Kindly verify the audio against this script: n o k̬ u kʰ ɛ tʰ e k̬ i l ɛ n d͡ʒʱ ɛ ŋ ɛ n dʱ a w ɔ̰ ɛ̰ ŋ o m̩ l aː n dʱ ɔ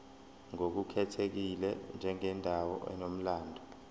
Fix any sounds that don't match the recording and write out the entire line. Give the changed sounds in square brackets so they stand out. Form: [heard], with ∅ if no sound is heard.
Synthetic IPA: [ŋ] o k̬ u kʰ ɛ tʰ e k̬ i l ɛ n d͡ʒʱ ɛ ŋ ɛ n dʱ a w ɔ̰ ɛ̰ [n] o m̩ l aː n dʱ ɔ